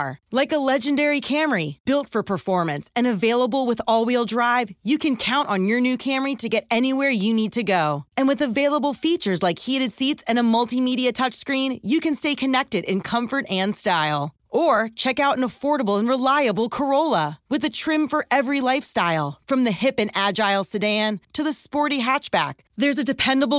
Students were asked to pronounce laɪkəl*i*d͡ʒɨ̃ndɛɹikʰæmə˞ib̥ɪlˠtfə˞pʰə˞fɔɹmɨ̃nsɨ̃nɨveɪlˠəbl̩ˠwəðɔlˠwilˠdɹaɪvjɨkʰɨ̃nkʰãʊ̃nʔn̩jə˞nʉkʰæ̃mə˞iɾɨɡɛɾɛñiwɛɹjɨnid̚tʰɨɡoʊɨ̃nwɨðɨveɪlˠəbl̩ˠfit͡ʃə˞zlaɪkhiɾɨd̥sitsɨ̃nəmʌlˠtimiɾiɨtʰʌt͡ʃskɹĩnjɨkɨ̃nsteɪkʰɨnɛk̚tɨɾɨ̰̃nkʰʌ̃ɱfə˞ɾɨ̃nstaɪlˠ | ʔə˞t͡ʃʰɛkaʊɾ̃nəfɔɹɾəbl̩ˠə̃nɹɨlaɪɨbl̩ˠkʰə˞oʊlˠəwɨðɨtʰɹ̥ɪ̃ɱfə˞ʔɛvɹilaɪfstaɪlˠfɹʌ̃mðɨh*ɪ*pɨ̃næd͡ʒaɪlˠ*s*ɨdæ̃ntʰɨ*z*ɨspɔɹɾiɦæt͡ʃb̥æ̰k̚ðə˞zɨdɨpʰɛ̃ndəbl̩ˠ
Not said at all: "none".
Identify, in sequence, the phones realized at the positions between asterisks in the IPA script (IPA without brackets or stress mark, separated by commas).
ɛ, ɪ, s, ð